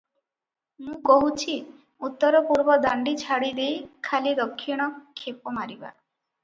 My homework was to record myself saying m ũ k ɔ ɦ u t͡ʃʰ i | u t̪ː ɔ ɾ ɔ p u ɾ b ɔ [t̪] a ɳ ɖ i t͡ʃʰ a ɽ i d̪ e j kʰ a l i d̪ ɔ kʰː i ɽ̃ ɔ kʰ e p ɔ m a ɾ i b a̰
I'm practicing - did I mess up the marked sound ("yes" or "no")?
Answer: yes